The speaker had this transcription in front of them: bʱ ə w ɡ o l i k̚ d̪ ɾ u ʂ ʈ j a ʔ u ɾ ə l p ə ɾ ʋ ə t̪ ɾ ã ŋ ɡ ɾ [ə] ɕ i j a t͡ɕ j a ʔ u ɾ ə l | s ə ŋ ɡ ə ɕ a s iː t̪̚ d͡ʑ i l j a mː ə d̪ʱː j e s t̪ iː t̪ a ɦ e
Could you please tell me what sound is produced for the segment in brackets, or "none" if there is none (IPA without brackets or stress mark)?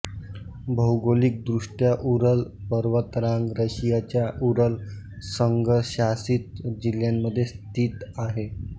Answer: ə